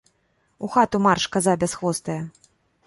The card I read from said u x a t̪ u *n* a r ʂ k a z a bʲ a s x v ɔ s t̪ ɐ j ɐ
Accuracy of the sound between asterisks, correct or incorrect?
incorrect